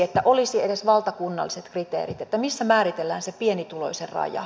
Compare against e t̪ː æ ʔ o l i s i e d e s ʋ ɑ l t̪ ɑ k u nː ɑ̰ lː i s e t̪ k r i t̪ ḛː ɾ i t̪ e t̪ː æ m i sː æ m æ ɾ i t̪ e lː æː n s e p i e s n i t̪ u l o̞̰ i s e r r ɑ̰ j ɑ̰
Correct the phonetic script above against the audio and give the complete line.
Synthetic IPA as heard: e t̪ː æ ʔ o l i s i e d e s ʋ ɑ l t̪ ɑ k u nː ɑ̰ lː i s e t̪ k r i t̪ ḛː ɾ i t̪ e t̪ː æ m i sː æ m æː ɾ i t̪ e lː æː n s e p i e n i t̪ u l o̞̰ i s e r r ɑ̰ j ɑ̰